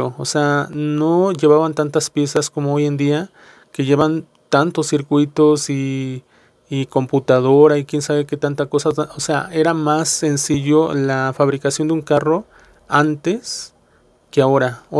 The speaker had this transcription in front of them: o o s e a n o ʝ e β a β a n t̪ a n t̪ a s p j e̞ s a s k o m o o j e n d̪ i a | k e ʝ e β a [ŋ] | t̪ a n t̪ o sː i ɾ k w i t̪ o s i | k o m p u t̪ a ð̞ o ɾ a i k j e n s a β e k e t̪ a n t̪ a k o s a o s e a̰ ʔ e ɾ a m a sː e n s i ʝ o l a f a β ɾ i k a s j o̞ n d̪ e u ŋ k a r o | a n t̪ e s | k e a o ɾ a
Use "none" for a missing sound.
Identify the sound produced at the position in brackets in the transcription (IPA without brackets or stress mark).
n